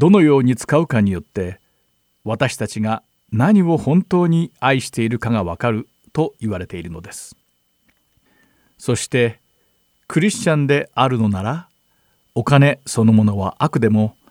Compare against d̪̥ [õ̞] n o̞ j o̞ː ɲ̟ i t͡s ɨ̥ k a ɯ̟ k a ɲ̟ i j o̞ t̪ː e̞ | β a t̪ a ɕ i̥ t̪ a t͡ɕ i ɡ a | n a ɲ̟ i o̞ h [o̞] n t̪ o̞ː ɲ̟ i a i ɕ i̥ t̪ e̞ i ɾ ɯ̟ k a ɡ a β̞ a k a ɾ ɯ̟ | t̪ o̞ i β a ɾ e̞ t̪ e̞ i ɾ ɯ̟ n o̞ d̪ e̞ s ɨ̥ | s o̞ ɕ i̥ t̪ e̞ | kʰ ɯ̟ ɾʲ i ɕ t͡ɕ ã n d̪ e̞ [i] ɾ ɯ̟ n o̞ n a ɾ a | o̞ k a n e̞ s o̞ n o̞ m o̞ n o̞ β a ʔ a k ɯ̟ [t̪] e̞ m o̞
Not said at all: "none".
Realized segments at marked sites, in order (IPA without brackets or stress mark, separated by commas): o̞, õ̞, a, d̪